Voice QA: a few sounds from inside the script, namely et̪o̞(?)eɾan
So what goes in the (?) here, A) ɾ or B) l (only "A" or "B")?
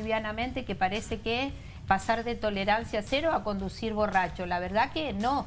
B